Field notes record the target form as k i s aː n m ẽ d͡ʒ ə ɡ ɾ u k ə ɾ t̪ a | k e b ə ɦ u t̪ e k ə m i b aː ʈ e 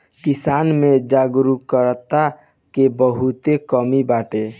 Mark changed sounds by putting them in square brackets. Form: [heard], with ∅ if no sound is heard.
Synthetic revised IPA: k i s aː n m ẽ d͡ʒ [a] ɡ ɾ u k ə ɾ t̪ a | k e b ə ɦ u t̪ e k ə m i b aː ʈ e